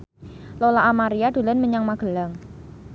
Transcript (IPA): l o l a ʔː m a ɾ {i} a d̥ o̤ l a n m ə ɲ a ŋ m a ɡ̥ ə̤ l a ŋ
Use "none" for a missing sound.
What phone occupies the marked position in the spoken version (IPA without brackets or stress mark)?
i